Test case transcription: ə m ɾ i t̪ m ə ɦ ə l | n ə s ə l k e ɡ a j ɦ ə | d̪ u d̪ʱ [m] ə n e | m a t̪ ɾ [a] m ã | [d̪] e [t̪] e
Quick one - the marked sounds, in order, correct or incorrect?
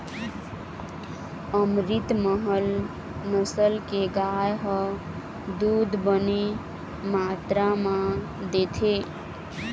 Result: incorrect, correct, correct, incorrect

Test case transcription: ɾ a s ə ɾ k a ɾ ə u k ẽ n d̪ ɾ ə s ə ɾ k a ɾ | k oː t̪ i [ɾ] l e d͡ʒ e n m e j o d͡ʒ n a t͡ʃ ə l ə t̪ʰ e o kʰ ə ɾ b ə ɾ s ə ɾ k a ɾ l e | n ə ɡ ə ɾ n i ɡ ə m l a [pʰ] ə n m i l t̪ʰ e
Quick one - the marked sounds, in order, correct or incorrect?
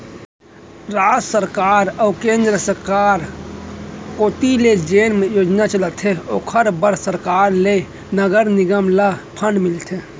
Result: incorrect, correct

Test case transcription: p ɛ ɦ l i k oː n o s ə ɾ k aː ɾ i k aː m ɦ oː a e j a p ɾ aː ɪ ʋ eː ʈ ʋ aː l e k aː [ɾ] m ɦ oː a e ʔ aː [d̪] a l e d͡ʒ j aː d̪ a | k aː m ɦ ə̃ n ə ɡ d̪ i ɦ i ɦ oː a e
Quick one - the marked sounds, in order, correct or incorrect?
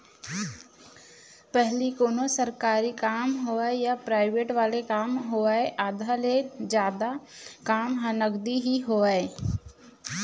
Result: incorrect, correct

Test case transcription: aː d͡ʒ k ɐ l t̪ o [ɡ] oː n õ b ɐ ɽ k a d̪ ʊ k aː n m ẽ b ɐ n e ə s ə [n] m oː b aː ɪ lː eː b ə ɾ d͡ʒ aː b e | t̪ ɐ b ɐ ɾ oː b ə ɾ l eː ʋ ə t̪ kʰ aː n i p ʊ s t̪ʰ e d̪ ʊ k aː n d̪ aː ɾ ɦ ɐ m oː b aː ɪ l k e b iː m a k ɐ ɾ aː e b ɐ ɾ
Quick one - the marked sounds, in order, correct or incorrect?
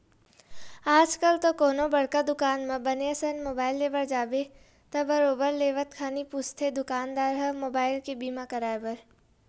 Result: incorrect, correct

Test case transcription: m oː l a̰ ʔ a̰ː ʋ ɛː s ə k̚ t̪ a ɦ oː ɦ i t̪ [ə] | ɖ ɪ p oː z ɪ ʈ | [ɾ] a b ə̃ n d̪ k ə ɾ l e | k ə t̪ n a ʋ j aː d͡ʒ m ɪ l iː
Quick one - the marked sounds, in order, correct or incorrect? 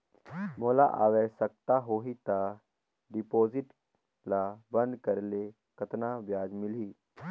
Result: incorrect, incorrect

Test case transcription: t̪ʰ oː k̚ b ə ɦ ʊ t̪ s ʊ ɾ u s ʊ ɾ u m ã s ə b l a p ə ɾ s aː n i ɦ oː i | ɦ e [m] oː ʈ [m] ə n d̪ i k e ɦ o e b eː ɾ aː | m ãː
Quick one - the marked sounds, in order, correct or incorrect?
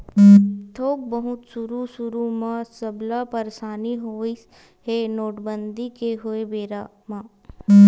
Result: incorrect, incorrect

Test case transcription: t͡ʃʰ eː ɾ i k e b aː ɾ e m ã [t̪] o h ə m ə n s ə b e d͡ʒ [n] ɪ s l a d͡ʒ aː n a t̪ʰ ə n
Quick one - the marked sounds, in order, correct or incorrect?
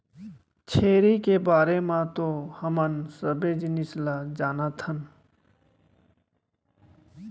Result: correct, correct

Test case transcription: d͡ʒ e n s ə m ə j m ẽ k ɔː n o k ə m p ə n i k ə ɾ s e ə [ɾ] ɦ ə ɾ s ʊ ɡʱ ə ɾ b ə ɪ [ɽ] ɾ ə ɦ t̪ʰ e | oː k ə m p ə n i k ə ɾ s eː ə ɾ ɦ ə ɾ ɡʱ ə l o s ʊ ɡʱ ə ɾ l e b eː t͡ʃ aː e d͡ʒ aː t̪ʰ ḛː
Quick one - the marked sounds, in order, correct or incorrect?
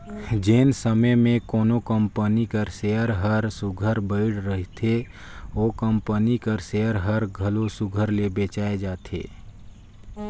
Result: correct, correct

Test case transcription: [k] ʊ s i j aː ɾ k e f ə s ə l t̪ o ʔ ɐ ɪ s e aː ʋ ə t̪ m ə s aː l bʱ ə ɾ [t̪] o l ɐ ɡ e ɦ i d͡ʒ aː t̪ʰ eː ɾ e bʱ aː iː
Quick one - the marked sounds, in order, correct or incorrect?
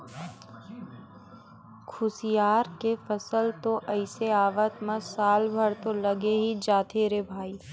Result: incorrect, correct

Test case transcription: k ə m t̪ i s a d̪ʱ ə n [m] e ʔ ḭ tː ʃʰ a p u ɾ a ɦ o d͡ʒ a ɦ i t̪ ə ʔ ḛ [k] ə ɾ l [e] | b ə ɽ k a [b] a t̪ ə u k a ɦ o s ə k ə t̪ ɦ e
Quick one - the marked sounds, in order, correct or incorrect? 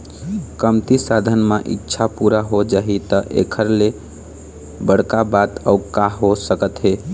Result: correct, incorrect, correct, correct

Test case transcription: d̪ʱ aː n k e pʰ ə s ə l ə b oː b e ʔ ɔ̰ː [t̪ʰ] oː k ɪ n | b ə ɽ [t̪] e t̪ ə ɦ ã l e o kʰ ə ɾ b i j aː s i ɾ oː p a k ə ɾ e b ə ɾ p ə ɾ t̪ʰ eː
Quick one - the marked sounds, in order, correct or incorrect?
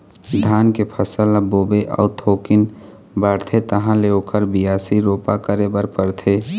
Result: correct, incorrect

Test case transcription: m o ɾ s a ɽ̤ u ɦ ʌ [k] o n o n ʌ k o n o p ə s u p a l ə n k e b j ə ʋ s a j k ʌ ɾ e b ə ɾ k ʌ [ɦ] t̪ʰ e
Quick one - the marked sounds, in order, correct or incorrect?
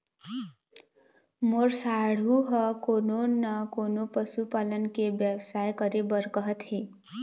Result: correct, correct

